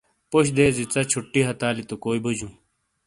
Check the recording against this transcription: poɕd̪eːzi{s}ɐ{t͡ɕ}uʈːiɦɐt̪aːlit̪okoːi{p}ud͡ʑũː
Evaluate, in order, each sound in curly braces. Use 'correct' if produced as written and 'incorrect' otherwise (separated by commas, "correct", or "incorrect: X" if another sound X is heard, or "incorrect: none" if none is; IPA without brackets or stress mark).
incorrect: t͡s, incorrect: t͡ɕʰ, incorrect: b